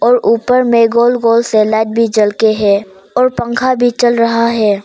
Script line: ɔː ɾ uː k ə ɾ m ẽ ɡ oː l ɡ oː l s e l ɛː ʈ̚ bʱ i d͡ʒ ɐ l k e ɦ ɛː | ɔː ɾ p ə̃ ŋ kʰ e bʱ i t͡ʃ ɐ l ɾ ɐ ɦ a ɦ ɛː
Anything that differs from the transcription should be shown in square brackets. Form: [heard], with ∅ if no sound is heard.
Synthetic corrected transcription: ɔː ɾ uː [p] ə ɾ m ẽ ɡ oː l ɡ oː l s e l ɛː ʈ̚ bʱ i d͡ʒ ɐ l k e ɦ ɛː | ɔː ɾ p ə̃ ŋ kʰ [a] bʱ i t͡ʃ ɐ l ɾ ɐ ɦ a ɦ ɛː